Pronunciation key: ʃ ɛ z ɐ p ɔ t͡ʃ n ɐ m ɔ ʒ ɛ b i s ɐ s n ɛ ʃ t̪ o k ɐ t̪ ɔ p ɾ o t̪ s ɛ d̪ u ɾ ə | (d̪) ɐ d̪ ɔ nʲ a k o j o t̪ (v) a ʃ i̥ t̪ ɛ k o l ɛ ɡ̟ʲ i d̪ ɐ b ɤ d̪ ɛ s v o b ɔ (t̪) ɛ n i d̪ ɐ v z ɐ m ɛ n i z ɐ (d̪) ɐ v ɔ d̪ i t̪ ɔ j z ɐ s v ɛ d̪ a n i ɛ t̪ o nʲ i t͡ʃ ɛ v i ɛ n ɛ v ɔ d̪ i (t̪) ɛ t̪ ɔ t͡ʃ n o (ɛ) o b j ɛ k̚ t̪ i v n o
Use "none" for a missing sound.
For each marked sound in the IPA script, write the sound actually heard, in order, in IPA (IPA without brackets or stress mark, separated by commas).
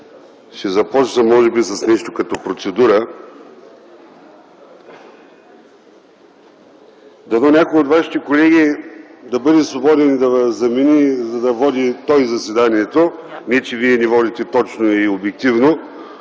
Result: d̪, v, d̪, d̪, t̪, i